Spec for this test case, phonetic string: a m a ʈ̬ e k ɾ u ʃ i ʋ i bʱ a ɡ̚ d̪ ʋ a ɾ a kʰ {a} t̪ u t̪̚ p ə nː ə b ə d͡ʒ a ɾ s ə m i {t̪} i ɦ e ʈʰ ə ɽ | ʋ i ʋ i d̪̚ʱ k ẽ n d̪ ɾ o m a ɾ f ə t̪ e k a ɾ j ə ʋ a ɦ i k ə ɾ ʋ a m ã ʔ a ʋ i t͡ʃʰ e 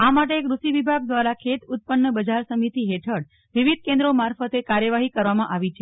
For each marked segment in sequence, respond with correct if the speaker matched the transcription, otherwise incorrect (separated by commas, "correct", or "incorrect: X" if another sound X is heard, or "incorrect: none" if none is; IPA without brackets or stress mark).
incorrect: e, correct